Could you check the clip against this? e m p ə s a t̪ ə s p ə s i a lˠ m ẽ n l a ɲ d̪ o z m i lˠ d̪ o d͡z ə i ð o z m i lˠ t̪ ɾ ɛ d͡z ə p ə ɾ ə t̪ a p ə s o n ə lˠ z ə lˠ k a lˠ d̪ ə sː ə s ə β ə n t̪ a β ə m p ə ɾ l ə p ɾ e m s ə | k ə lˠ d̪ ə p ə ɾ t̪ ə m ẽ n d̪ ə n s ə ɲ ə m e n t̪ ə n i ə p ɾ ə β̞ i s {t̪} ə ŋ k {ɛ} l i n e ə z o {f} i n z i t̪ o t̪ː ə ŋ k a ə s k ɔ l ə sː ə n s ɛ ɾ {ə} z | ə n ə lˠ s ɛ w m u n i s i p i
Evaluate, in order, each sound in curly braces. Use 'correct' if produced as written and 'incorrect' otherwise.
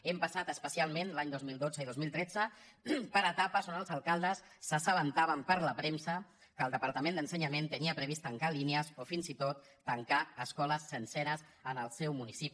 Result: correct, incorrect, correct, correct

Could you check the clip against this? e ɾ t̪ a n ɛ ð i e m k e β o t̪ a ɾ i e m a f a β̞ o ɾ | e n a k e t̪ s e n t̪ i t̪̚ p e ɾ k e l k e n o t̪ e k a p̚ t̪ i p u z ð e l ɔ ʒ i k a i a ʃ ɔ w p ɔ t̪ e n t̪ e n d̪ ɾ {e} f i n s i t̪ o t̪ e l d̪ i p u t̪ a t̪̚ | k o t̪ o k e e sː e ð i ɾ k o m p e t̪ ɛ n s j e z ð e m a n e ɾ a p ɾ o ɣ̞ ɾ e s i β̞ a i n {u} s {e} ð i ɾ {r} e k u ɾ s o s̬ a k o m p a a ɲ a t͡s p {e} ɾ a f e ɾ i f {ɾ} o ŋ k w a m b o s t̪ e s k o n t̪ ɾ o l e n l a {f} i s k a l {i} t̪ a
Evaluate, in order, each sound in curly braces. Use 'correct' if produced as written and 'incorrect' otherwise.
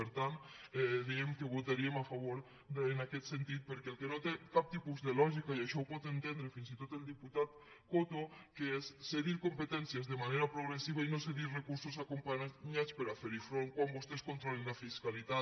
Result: correct, incorrect, correct, correct, correct, correct, correct, correct

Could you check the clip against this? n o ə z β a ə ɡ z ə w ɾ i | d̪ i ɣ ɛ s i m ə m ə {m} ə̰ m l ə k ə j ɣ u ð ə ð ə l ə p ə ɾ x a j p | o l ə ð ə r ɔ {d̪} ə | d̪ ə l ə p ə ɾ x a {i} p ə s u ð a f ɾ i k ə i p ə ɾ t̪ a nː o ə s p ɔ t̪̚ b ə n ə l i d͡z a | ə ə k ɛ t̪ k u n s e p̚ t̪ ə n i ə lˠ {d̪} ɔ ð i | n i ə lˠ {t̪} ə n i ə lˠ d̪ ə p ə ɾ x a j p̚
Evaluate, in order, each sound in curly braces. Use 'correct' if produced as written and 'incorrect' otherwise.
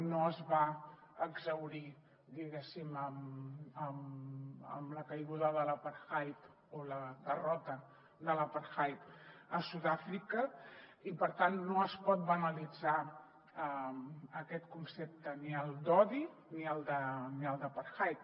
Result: correct, incorrect, incorrect, correct, incorrect

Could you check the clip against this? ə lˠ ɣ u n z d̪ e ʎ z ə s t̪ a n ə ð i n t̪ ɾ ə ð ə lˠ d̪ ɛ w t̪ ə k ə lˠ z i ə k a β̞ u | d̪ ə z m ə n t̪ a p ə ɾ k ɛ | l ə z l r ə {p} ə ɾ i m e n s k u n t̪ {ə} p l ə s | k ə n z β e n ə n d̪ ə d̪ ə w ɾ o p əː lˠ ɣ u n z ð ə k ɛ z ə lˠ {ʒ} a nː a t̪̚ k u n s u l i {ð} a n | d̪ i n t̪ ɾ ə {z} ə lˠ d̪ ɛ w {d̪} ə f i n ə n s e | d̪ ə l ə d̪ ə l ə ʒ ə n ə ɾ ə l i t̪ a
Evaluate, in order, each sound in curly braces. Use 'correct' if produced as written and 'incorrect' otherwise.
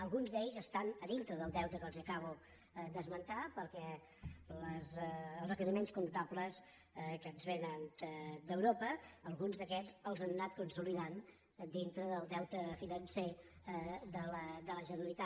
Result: incorrect, incorrect, incorrect, correct, incorrect, incorrect

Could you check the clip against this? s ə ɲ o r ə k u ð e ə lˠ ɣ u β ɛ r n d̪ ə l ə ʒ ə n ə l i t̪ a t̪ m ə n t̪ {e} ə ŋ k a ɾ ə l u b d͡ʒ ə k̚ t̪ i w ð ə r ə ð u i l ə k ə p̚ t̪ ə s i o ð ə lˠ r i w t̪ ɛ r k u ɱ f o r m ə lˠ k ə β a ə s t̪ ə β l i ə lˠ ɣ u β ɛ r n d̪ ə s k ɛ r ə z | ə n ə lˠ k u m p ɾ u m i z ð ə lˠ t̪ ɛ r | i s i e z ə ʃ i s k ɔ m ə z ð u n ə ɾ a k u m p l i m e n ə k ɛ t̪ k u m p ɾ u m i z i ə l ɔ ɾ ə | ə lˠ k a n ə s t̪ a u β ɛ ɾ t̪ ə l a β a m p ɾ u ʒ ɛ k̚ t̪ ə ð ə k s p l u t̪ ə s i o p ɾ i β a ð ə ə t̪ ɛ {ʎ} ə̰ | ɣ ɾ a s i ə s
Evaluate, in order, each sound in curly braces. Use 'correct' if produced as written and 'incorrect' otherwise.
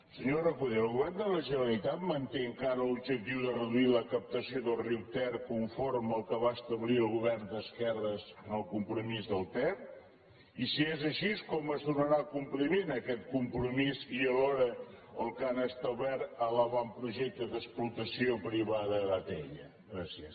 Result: correct, correct

